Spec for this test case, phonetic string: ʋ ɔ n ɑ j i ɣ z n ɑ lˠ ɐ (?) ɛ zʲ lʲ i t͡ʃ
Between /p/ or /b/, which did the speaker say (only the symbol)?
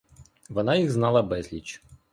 b